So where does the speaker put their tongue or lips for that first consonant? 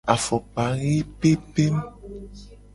lips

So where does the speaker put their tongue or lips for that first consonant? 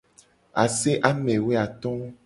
tongue tip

